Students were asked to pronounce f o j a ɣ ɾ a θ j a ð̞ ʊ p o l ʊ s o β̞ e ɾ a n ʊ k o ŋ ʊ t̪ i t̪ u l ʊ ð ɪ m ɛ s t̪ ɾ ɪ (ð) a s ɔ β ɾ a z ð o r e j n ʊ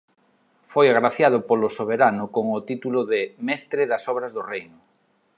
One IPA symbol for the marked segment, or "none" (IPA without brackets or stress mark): ð